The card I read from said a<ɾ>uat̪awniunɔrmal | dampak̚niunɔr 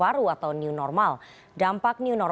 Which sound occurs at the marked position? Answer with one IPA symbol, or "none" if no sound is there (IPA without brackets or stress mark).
ɾ